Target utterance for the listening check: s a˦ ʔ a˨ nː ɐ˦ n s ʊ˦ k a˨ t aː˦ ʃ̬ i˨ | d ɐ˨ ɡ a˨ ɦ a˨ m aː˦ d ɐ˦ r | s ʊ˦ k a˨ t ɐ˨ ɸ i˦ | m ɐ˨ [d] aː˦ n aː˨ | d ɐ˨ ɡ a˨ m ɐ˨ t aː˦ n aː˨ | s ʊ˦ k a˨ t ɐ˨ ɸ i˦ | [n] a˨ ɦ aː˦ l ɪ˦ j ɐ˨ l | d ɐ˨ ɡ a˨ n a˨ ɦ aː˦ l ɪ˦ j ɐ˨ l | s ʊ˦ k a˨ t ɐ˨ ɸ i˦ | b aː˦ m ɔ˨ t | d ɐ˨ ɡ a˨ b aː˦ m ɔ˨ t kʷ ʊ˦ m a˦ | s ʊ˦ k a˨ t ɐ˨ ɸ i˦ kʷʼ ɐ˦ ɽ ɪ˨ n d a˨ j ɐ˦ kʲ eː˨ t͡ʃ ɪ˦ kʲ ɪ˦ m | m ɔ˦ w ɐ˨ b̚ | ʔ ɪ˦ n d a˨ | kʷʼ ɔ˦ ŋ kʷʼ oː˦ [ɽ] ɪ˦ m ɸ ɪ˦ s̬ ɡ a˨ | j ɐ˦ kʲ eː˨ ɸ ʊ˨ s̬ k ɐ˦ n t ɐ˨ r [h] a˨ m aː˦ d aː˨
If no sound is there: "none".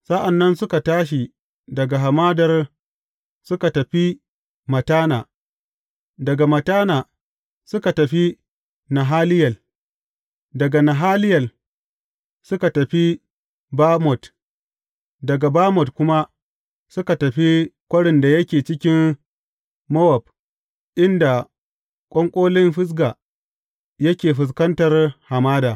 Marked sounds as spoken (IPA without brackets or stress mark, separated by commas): t, n, l, h